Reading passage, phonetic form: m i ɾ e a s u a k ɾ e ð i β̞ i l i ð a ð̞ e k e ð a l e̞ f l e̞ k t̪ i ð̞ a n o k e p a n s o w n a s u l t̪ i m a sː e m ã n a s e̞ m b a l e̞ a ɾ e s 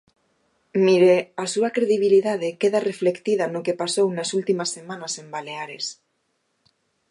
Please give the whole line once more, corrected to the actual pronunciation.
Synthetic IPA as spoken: m i ɾ e a s u a k ɾ e ð i β̞ i l i ð a ð̞ e k e ð a r e̞ f l e̞ k t̪ i ð̞ a n o k e p a s o w n a s u l t̪ i m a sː e m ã n a s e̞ m b a l e̞ a ɾ e s